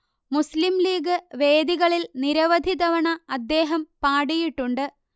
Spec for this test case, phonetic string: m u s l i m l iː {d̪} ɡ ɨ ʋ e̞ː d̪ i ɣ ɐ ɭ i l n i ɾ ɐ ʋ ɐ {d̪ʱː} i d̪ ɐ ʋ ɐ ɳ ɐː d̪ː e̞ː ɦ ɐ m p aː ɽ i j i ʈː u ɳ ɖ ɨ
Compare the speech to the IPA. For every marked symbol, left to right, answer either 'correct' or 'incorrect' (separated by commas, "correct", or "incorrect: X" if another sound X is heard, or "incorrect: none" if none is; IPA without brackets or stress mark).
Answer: incorrect: none, incorrect: d̪ʱ